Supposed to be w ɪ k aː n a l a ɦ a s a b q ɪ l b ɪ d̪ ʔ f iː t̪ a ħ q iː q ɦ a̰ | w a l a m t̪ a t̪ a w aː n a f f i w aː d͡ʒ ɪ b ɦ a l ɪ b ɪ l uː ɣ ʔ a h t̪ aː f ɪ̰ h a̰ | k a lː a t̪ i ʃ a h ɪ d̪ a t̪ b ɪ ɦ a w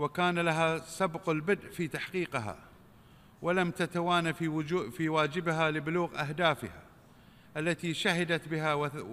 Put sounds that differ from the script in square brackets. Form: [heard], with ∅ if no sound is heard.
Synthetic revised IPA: w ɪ k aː n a l a ɦ a s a b q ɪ l b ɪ d̪ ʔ f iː t̪ a ħ q iː q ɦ a̰ | w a l a m t̪ a t̪ a w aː n a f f i w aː d͡ʒ ɪ b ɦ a l ɪ b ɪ l uː ɣ ʔ a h [d̪] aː f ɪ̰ h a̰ | [ʔ] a lː a t̪ i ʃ a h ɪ d̪ a t̪ b ɪ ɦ a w